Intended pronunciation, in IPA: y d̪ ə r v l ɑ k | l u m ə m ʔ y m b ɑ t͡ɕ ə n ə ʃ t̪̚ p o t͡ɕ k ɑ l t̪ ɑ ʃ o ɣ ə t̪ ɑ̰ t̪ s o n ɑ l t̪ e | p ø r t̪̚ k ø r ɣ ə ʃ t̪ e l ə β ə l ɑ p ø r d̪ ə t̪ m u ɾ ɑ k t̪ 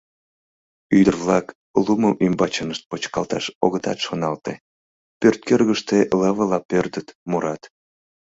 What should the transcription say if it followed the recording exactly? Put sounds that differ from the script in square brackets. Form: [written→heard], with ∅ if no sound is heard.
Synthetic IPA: y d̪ ə r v l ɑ k | l u m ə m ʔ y m b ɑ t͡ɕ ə n ə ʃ t̪̚ p o t͡ɕ k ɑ l t̪ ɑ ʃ o ɣ ə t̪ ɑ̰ t̪ [s→ʃ] o n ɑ l t̪ e | p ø r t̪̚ k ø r ɣ ə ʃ t̪ e l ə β ə l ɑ p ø r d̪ ə t̪ m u ɾ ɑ [k→∅] t̪